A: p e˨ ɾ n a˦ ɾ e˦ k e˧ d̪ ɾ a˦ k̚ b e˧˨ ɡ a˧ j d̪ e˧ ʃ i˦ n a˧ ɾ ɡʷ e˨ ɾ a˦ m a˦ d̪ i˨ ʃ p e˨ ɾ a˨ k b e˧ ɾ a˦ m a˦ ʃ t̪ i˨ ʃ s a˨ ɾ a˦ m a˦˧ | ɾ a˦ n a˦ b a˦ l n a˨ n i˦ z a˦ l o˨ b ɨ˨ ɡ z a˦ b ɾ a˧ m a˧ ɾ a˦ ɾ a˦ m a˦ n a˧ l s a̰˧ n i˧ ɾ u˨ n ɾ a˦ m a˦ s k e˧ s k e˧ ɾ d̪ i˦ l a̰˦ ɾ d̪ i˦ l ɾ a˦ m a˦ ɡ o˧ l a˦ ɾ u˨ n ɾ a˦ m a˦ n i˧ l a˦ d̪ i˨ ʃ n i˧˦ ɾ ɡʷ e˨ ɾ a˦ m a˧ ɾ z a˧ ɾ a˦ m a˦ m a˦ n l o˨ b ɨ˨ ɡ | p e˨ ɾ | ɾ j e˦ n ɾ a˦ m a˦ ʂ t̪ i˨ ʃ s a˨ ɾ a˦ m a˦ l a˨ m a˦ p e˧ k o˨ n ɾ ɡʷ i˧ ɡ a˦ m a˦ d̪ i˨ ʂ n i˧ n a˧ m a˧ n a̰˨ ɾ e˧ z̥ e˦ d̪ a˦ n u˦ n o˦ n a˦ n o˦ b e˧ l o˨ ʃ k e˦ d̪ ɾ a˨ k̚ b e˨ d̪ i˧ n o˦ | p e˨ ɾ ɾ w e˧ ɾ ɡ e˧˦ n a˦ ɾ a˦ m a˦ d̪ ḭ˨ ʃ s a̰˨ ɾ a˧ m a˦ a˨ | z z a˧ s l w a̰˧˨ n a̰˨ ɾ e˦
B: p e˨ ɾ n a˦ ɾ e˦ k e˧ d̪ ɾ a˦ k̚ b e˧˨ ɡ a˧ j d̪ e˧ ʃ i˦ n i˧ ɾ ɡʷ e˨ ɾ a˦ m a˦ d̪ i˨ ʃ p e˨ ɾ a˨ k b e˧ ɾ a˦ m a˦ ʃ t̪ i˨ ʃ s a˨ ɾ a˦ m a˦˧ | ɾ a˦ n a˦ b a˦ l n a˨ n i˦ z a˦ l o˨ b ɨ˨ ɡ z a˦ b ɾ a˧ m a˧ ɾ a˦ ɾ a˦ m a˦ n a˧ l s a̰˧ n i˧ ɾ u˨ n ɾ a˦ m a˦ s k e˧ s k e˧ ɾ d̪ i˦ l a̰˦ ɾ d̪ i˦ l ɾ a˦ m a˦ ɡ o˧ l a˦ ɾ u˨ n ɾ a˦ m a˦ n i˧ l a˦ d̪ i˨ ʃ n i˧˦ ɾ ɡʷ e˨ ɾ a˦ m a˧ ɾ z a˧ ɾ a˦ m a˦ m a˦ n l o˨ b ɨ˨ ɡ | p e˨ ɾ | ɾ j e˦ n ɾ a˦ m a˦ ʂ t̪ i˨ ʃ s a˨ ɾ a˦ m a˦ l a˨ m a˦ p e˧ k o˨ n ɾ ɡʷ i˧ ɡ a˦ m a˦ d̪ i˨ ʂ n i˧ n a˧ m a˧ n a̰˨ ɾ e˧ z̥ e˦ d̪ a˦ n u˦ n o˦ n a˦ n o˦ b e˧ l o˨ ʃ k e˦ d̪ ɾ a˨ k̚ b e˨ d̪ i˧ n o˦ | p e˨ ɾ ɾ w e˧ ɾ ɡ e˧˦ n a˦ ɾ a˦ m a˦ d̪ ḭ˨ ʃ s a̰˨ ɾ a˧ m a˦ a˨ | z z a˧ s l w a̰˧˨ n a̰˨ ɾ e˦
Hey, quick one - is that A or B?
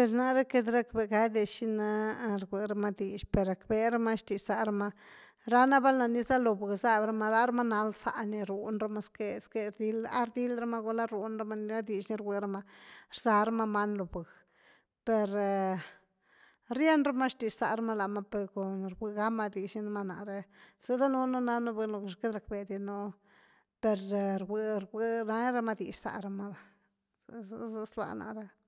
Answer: A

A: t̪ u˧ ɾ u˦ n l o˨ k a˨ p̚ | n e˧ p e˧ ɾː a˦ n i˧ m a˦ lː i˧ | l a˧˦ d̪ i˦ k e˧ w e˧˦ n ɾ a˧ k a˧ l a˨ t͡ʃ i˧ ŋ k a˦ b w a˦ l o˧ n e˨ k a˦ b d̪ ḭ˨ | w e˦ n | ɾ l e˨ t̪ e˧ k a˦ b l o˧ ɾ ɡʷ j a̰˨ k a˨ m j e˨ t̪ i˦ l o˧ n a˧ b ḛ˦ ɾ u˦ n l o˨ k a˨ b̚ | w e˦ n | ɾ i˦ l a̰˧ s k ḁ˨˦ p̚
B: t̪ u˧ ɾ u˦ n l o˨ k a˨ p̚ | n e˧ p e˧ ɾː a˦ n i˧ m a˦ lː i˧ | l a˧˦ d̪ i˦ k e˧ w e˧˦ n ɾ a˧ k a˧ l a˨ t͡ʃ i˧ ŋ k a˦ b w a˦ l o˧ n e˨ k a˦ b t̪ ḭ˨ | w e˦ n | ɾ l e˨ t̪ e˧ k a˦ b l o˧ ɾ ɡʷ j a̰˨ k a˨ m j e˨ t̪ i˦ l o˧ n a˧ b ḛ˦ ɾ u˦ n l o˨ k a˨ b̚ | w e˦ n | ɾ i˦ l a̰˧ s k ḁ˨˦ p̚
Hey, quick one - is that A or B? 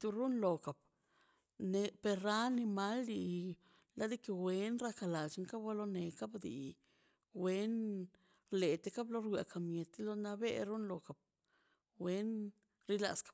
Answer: A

